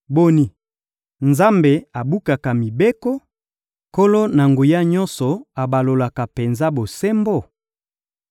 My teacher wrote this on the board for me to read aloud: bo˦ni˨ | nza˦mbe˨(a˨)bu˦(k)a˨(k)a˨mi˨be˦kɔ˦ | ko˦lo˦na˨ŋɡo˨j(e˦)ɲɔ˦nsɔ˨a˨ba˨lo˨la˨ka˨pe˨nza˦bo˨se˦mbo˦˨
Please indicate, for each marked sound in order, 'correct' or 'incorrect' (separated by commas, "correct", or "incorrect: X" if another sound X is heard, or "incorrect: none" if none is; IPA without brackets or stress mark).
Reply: correct, correct, correct, incorrect: a˦